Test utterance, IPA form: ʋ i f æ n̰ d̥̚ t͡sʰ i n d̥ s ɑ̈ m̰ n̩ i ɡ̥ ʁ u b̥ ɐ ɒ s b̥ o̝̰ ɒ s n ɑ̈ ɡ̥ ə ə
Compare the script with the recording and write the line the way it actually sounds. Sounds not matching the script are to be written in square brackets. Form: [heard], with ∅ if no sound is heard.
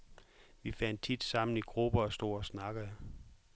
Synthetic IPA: ʋ i f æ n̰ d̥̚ t͡sʰ i [∅] d̥ s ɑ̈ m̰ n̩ i ɡ̥ ʁ u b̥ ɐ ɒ s [d̥] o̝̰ ɒ s n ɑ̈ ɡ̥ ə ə

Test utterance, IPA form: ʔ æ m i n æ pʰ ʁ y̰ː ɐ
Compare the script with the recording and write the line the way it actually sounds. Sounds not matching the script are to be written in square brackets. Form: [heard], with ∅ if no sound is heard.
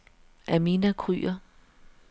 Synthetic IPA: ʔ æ m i n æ [kʰ] ʁ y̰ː ɐ

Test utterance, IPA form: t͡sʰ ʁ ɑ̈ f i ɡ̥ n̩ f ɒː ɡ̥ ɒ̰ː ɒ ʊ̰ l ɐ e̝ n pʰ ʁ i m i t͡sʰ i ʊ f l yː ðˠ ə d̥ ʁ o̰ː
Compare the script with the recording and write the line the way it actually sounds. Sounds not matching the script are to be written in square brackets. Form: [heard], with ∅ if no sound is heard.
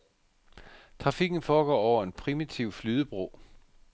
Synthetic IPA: t͡sʰ ʁ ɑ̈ f i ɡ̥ n̩ f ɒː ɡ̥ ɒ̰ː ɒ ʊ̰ [∅] ɐ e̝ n pʰ ʁ i m i t͡sʰ i ʊ f l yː ðˠ ə [b̥] ʁ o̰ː

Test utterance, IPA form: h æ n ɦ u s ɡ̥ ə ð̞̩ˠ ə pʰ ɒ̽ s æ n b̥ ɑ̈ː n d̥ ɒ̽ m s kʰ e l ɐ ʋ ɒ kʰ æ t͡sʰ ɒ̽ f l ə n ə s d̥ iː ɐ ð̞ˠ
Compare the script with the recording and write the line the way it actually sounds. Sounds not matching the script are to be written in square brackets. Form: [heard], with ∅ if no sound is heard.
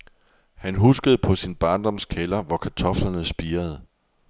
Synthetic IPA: h æ n ɦ u s ɡ̥ ə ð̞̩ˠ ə pʰ ɒ̽ s [i] n b̥ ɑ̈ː n d̥ ɒ̽ m s kʰ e l ɐ ʋ ɒ kʰ æ t͡sʰ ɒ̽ f l [ɐ] n ə s [b̥] iː ɐ ð̞ˠ

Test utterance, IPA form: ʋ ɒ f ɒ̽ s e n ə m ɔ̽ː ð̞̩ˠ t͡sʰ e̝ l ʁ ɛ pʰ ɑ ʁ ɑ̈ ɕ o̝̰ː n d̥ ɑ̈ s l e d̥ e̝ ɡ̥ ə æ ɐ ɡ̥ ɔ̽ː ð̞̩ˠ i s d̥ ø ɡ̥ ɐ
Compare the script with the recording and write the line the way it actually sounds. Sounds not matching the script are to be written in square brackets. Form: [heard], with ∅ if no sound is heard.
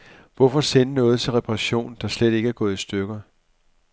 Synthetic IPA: ʋ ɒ f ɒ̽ s e n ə [n] ɔ̽ː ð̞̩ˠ t͡sʰ e̝ l ʁ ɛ pʰ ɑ ʁ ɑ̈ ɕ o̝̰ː n d̥ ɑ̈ s l e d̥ e̝ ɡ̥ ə æ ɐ ɡ̥ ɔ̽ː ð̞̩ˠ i s d̥ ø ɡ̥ ɐ

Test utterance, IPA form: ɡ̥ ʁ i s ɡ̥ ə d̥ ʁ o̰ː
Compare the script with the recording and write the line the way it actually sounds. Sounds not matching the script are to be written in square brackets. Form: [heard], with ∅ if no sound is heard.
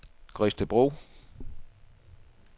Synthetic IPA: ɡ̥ ʁ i s [d̥] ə [b̥] ʁ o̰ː

